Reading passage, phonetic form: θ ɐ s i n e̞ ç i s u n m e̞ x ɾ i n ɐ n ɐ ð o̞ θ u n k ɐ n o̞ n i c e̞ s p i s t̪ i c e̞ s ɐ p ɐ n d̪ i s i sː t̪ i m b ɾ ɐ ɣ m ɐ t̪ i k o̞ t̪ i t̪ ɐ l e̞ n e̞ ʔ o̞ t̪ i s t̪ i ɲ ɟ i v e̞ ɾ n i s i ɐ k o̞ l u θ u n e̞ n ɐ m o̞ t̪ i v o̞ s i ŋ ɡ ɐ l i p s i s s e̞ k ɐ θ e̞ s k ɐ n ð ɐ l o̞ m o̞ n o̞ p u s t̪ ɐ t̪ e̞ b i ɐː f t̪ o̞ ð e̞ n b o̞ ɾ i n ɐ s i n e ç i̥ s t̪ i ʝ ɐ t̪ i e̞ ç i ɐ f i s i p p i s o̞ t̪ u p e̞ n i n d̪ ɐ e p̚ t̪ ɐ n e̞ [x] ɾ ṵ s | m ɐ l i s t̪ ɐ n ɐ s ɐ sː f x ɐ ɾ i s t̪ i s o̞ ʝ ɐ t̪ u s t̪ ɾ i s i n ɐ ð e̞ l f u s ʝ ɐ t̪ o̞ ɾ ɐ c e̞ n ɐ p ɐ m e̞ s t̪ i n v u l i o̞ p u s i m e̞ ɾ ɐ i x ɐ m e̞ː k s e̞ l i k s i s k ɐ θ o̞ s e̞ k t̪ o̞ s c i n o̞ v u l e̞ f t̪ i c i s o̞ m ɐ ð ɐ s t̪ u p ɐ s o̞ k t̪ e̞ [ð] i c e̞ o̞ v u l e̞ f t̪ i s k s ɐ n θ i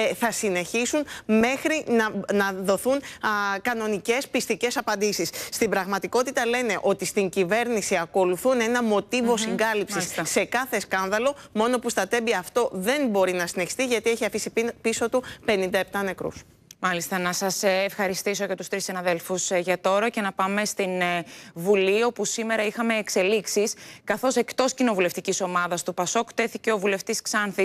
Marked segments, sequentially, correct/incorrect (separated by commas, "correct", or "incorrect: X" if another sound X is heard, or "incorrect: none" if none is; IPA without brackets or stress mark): incorrect: k, incorrect: θ